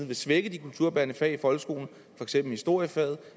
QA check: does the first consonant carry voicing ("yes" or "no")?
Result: yes